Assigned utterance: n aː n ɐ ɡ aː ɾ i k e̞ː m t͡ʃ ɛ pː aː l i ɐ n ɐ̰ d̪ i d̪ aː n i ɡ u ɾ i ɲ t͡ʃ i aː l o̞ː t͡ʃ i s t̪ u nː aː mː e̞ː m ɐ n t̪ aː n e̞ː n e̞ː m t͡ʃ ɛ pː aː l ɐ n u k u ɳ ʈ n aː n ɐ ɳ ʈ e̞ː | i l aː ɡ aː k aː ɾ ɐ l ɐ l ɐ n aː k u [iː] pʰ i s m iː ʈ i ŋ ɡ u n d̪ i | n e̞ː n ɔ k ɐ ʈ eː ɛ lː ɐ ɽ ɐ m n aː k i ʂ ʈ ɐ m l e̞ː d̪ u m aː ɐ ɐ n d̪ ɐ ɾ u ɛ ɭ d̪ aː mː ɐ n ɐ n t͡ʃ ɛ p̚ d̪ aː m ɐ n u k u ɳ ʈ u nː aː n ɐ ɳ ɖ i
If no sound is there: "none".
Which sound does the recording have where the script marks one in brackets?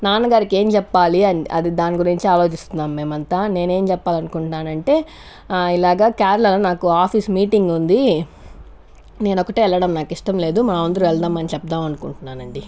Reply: aː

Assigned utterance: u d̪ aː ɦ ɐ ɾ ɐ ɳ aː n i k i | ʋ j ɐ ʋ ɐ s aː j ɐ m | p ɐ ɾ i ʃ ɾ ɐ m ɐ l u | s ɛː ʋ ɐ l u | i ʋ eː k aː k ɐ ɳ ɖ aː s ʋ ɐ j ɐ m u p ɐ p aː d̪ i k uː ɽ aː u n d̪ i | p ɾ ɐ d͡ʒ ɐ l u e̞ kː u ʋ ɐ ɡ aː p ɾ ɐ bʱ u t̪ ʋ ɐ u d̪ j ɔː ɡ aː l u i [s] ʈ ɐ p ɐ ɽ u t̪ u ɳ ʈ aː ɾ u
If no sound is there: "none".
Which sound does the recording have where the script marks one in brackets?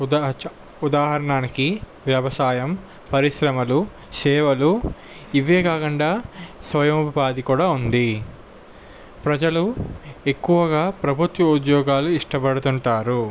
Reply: ʂ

